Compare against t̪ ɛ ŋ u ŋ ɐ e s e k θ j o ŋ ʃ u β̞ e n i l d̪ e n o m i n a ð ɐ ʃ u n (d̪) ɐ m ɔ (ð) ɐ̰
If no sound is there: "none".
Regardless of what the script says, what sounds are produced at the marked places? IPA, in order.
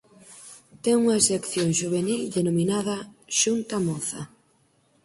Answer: t̪, θ

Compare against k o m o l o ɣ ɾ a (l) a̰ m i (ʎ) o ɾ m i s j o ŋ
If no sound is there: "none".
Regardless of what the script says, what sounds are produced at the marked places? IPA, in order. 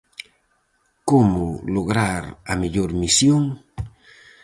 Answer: ɾ, ʎ

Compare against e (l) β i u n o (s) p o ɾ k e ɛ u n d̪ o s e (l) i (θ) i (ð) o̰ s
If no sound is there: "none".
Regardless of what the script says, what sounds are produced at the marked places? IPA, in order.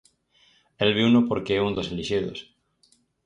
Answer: l, none, l, ʃ, ð

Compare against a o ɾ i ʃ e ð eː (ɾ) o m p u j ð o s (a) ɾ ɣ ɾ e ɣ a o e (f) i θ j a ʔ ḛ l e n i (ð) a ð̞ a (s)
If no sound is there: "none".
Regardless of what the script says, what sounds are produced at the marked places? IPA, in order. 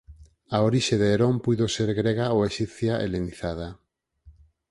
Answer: ɾ, e, ʃ, θ, none

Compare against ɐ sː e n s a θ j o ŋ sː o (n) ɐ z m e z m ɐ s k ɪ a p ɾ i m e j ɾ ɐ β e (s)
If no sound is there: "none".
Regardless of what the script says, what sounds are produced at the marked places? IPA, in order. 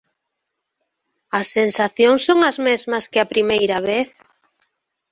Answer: ŋ, θ

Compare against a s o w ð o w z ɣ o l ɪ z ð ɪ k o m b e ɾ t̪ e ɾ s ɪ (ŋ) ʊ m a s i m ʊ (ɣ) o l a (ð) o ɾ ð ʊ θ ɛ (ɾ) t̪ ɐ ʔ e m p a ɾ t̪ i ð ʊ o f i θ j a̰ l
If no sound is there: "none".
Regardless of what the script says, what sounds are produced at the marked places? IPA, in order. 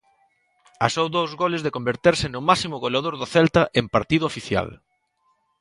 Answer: n, ɣ, ð, l

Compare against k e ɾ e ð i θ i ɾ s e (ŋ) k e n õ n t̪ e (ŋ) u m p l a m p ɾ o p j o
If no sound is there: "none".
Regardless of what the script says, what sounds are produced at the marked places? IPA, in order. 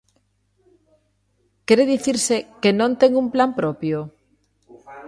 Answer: none, ŋ

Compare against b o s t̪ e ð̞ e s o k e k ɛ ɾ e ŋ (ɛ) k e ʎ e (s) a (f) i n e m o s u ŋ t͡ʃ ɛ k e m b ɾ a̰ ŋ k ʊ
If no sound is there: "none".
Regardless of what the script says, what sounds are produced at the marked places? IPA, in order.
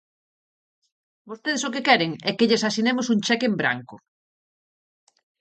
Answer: ɛ, s, s

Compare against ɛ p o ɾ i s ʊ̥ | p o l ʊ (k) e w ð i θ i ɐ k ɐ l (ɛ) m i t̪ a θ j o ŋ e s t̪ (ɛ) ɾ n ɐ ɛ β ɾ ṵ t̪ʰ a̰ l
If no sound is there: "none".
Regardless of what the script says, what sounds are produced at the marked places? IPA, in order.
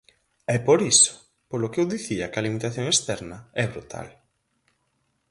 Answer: k, i, ɛ

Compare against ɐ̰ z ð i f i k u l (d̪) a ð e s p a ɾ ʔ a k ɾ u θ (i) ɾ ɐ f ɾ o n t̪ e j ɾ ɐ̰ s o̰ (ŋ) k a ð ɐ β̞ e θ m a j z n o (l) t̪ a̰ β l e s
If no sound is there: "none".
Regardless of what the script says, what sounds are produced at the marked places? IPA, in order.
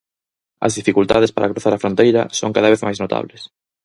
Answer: t̪, a, ŋ, none

